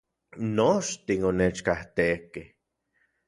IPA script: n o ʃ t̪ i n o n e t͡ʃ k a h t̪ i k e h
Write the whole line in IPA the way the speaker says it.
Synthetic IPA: n o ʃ t̪ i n o n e t͡ʃ k a h t̪ e k e h